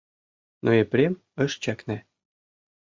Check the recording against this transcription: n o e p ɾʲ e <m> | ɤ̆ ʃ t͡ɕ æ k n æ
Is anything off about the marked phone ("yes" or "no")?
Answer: no